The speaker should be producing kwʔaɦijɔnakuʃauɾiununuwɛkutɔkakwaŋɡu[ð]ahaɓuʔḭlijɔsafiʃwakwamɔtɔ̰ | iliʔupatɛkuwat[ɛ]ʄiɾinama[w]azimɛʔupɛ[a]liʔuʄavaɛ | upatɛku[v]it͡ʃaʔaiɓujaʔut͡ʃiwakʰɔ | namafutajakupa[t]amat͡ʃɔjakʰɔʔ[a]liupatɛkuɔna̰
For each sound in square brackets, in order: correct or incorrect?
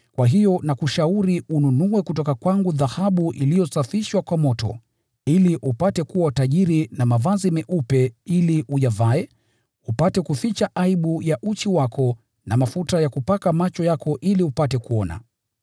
correct, incorrect, incorrect, incorrect, incorrect, incorrect, incorrect

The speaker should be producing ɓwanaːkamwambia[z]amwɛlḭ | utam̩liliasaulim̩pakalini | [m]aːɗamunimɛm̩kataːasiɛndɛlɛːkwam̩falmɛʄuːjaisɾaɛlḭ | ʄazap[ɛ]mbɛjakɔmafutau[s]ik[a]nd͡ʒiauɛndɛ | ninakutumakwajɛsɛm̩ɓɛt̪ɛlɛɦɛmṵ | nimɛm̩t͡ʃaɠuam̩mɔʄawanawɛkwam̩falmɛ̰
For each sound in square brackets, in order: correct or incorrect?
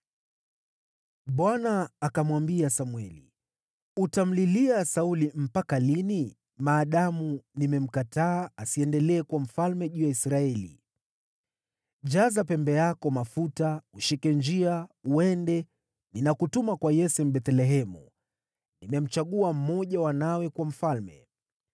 incorrect, correct, correct, incorrect, incorrect

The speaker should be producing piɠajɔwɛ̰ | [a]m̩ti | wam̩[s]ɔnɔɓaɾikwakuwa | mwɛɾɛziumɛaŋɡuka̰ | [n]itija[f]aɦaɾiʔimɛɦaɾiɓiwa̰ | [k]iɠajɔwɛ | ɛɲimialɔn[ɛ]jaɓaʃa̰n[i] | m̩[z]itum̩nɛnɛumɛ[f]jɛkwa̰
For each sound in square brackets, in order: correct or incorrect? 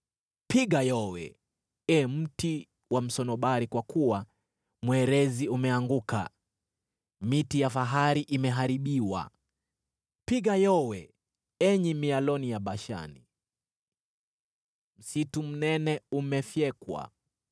incorrect, correct, incorrect, correct, incorrect, incorrect, correct, incorrect, correct

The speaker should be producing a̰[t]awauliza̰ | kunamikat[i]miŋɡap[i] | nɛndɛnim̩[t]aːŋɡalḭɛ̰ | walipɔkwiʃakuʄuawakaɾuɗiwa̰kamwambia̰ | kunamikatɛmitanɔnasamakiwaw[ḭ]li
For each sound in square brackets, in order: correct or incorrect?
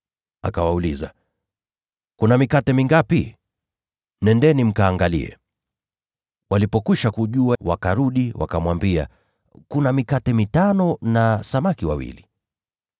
incorrect, incorrect, correct, incorrect, correct

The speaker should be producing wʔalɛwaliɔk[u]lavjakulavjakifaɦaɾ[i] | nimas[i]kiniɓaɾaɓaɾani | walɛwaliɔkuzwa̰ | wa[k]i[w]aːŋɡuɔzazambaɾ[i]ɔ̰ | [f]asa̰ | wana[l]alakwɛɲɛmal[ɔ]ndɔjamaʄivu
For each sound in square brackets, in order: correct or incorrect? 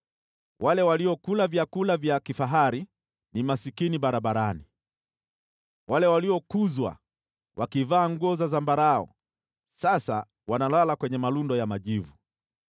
correct, correct, correct, correct, incorrect, incorrect, incorrect, correct, incorrect

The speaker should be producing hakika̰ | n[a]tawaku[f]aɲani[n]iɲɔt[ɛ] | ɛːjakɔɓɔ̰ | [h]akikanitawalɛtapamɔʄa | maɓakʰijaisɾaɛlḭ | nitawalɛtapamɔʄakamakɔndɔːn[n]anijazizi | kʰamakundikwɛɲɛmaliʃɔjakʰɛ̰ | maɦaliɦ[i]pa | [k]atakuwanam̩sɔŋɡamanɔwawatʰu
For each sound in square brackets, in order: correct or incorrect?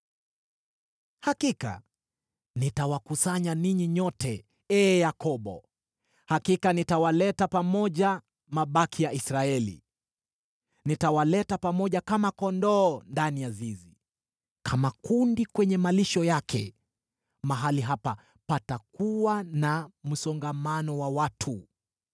incorrect, incorrect, incorrect, correct, correct, incorrect, incorrect, incorrect

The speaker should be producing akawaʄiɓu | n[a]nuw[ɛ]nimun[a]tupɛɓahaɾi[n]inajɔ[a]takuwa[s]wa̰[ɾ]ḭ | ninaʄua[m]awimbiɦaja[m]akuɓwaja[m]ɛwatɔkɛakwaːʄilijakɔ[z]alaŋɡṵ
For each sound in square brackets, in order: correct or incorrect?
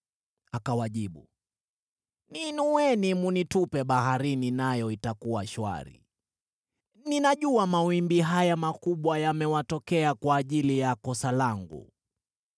incorrect, correct, incorrect, correct, incorrect, incorrect, correct, correct, correct, correct, incorrect

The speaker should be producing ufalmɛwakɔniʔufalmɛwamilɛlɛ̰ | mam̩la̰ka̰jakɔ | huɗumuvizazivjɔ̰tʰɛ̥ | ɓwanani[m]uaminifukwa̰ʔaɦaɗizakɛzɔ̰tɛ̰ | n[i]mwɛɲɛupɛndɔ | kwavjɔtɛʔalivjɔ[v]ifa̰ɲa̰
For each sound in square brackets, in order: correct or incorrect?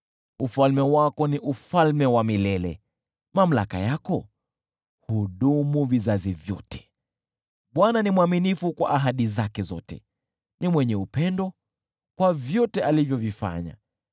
correct, correct, correct

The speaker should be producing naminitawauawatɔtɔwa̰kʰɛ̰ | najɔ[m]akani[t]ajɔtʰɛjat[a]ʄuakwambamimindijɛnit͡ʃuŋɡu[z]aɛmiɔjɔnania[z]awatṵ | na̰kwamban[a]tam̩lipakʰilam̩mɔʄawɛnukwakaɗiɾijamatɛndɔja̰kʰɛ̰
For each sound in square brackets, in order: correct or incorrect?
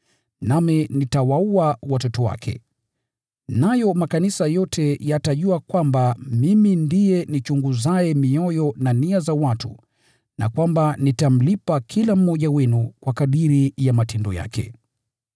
correct, incorrect, correct, correct, correct, incorrect

